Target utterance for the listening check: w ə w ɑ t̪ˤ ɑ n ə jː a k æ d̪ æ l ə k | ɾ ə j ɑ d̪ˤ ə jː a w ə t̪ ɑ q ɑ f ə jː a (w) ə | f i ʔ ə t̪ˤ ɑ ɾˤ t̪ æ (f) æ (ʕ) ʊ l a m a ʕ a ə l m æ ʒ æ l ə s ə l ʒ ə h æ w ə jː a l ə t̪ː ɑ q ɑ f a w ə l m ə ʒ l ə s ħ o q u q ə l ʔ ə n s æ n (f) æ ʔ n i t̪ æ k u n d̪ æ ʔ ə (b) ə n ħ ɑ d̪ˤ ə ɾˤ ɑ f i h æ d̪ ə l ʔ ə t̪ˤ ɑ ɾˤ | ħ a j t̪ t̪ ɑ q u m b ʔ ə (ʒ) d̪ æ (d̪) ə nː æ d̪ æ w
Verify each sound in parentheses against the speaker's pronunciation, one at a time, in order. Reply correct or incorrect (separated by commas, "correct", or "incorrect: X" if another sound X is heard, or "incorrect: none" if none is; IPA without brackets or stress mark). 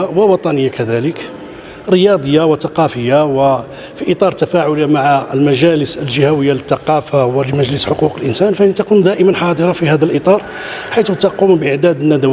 correct, correct, correct, correct, incorrect: m, incorrect: ʕ, correct